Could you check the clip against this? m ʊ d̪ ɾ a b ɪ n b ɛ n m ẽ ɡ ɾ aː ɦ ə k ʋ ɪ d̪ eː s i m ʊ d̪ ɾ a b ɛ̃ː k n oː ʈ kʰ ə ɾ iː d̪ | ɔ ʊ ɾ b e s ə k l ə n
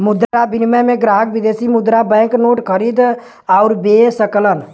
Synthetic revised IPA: m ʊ d̪ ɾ a b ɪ n m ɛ m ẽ ɡ ɾ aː ɦ ə k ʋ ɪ d̪ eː s i m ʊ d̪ ɾ a b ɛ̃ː k n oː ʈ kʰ ə ɾ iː d̪ | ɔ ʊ ɾ b e s ə k l ə n